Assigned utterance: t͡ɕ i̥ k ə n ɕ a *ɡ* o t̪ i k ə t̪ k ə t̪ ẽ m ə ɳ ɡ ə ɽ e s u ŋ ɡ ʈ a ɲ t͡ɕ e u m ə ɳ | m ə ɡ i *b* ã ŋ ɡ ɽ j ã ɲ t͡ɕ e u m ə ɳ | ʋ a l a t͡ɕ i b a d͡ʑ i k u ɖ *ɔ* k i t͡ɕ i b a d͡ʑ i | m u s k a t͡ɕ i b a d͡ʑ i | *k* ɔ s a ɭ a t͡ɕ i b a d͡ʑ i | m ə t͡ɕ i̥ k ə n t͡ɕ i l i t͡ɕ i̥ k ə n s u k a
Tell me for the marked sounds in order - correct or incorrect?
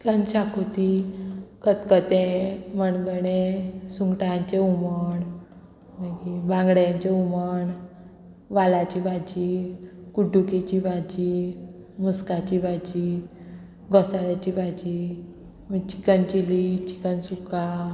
incorrect: k, correct, incorrect: u, incorrect: ɡ

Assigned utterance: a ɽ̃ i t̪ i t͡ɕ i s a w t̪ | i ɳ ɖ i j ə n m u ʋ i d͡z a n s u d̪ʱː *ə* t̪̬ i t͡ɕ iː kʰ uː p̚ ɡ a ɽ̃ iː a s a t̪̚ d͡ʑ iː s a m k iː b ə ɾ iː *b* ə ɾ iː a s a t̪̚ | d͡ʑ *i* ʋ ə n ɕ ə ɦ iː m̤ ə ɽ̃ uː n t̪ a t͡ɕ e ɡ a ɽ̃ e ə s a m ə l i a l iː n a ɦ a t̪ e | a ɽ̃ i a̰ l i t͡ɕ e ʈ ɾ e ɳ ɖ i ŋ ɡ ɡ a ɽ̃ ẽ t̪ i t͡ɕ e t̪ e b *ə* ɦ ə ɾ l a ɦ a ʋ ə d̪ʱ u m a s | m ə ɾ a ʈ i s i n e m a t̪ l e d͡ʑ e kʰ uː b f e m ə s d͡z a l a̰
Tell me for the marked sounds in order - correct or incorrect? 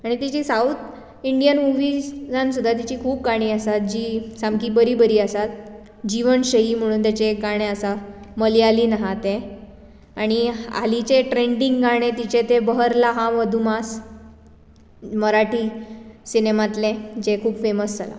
incorrect: a, correct, correct, correct

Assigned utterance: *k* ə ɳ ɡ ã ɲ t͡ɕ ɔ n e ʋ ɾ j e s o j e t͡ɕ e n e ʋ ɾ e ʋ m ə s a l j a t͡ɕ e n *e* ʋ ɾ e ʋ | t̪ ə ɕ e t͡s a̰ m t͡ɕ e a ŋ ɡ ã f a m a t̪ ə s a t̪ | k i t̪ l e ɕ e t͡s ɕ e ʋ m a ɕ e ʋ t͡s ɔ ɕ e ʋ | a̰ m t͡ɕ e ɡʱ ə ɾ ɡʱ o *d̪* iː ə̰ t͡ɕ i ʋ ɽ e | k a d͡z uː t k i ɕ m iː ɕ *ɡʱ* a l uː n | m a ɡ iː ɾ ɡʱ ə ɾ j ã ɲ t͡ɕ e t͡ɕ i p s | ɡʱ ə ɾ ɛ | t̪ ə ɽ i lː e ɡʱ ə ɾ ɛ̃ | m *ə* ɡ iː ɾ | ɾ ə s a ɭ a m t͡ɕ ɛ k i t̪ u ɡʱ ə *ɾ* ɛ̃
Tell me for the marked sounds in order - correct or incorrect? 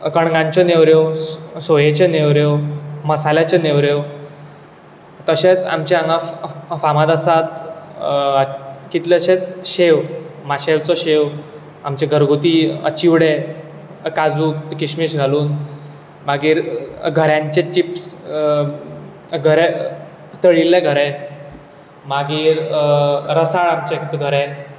correct, correct, incorrect: t̪, correct, incorrect: a, correct

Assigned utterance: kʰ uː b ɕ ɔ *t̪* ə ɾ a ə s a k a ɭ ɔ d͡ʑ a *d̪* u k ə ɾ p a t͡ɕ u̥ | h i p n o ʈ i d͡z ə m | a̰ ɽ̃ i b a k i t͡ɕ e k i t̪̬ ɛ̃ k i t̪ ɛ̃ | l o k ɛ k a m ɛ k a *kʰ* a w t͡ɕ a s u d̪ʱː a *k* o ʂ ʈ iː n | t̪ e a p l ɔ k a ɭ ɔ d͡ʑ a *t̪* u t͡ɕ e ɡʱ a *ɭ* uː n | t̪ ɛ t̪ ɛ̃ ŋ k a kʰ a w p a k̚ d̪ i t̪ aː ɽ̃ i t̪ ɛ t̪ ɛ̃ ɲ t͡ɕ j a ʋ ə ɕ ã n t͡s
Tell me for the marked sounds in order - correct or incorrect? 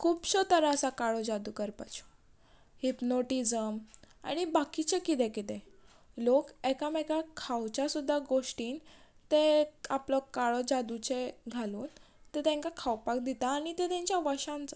correct, correct, correct, incorrect: ɡ, incorrect: d̪, incorrect: l

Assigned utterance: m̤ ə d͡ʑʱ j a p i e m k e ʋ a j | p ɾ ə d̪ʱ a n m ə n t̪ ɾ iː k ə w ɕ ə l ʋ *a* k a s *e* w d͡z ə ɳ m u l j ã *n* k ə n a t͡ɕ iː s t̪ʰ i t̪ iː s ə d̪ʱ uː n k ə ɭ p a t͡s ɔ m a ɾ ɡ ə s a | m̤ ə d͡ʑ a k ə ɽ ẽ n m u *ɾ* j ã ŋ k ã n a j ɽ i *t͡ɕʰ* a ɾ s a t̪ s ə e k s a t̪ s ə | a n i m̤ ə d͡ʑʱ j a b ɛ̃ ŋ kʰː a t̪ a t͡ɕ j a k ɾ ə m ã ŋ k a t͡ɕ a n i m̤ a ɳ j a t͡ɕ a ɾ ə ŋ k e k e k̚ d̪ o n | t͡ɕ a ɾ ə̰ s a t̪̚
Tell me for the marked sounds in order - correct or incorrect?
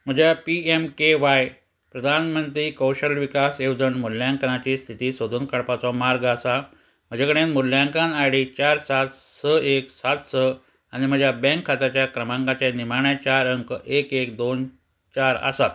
incorrect: i, correct, incorrect: ŋ, incorrect: l, incorrect: t͡ɕ

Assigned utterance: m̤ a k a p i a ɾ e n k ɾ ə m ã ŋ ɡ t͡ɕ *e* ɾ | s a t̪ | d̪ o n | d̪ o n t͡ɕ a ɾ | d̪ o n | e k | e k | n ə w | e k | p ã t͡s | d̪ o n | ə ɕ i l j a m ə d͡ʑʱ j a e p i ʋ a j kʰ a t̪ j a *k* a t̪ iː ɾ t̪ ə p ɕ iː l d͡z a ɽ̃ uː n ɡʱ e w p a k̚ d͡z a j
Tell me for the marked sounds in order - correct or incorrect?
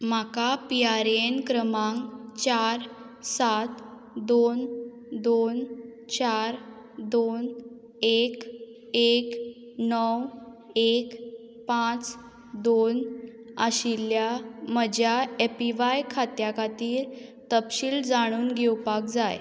incorrect: a, correct

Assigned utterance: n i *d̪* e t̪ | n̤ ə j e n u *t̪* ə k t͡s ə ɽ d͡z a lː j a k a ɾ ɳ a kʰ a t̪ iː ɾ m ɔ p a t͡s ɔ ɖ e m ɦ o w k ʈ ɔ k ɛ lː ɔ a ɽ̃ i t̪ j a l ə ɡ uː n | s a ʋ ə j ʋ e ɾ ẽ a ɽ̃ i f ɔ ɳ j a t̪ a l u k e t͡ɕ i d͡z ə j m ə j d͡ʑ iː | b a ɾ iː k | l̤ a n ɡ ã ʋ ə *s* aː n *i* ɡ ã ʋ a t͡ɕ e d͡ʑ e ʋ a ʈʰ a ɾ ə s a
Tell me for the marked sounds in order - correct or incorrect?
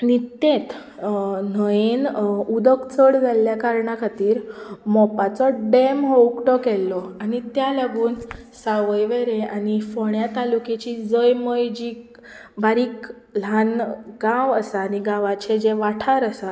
incorrect: t̪, incorrect: d̪, correct, correct

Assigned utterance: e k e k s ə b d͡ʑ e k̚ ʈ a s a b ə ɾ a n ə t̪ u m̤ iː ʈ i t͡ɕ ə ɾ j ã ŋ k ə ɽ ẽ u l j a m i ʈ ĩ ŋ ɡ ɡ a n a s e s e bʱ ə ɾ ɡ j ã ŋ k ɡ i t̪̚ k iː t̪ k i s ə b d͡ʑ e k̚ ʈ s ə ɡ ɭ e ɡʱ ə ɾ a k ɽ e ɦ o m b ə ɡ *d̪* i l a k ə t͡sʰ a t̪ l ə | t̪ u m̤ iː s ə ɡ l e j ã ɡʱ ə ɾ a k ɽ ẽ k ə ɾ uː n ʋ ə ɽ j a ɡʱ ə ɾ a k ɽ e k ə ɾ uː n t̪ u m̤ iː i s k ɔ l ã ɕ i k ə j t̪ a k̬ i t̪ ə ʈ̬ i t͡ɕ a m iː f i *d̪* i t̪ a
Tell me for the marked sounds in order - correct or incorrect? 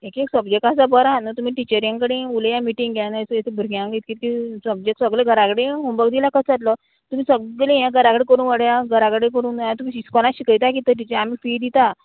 correct, correct

